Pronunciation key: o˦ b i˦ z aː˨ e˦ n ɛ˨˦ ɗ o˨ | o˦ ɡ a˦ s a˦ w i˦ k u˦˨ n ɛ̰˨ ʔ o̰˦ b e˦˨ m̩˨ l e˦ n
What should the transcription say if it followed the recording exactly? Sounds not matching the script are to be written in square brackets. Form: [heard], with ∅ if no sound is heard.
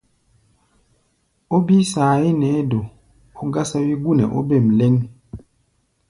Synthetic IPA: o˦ b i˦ [s] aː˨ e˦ n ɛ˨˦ [d] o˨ | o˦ ɡ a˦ s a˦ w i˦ [ɡ] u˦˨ n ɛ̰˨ ʔ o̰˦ b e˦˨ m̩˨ l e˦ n